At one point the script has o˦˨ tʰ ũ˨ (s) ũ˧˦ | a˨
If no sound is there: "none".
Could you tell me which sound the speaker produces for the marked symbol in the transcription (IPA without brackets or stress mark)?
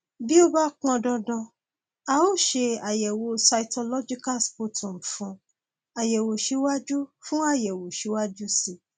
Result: f